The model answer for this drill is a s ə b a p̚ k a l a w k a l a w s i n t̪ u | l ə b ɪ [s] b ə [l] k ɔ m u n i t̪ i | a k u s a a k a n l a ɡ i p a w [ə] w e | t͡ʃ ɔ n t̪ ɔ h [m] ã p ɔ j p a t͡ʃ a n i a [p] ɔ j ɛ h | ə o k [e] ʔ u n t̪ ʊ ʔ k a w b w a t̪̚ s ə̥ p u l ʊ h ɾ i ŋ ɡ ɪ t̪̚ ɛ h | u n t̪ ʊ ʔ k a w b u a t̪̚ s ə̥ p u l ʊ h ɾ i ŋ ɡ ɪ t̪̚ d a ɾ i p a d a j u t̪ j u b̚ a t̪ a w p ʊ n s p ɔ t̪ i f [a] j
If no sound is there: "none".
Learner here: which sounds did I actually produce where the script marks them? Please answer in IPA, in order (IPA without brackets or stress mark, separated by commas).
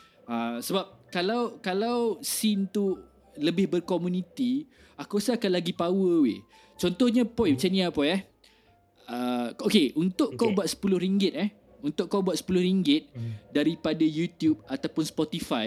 h, r, ə, ɲ, p, e, a